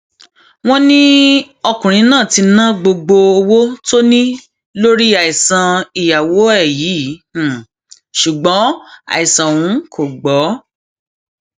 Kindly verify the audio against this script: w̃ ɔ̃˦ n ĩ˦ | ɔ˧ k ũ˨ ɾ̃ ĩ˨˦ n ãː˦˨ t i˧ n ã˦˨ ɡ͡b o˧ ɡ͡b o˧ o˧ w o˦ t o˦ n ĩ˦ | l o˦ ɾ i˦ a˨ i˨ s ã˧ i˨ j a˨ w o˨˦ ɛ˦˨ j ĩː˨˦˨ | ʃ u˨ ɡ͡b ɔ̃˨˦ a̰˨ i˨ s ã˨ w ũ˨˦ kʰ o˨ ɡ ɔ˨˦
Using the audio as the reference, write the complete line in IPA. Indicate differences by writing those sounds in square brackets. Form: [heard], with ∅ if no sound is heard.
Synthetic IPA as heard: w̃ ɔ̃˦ n ĩ˦ | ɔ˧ k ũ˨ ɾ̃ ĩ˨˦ n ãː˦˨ t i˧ n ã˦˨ ɡ͡b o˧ ɡ͡b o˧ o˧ w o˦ t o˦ n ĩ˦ | l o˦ ɾ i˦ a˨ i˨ s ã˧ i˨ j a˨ w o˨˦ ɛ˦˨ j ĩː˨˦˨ | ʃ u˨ ɡ͡b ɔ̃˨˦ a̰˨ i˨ s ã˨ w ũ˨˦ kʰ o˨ [ɡ͡b] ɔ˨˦